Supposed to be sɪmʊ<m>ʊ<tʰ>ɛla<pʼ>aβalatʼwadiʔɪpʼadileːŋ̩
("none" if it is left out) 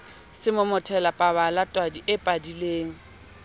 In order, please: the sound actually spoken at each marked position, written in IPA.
m, tʰ, pʼ

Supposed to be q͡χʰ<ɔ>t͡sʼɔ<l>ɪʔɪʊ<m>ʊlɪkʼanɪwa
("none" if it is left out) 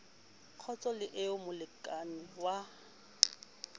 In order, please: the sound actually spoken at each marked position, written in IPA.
ɔ, l, m

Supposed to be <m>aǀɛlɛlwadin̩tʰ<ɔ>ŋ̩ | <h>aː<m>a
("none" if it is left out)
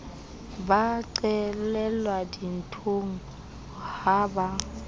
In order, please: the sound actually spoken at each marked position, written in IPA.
b, o, h, b

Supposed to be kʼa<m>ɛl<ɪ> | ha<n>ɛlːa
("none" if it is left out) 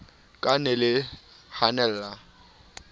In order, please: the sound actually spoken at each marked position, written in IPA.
n, ɪ, n

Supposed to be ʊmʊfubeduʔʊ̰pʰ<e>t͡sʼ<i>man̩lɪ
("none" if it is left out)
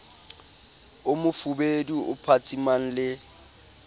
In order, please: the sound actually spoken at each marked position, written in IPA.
a, i

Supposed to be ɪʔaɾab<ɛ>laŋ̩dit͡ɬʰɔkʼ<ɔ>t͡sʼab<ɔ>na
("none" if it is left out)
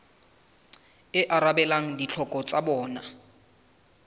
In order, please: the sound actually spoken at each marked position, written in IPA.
ɛ, ɔ, ɔː

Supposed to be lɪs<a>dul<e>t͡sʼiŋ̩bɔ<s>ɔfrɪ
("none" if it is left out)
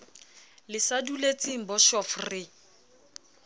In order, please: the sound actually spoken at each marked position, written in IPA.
a, e, ʃ

